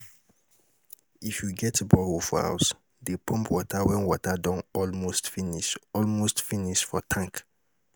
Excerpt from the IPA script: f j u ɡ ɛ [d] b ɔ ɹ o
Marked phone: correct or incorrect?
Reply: incorrect